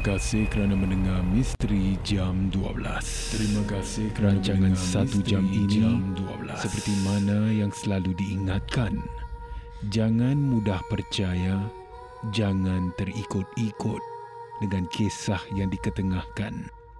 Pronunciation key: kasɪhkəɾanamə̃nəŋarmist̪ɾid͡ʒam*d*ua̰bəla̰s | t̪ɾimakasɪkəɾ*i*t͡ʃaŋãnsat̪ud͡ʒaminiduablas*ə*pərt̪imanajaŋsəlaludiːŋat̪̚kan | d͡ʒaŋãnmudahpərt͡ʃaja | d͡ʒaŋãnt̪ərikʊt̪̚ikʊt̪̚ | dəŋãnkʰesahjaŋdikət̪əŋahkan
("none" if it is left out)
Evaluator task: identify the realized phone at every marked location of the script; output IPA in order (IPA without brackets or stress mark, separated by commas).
d, a, ə